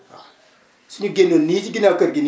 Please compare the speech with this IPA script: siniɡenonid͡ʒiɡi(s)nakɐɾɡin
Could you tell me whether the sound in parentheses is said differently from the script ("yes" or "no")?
yes